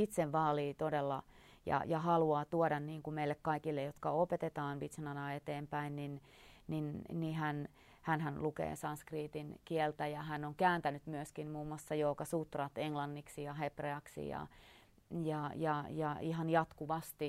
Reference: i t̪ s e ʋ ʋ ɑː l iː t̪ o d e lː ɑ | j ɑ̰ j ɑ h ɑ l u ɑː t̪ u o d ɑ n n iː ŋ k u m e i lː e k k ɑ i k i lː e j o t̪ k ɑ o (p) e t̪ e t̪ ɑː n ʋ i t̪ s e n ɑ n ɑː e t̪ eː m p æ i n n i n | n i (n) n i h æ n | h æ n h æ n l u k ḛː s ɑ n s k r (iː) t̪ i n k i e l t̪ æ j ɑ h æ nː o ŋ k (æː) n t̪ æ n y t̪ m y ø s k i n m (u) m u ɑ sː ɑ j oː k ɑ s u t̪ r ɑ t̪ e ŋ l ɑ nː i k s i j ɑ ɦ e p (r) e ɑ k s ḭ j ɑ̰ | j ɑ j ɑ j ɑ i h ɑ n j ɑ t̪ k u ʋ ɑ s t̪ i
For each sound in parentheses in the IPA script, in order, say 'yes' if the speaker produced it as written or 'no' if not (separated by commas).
yes, yes, yes, yes, no, yes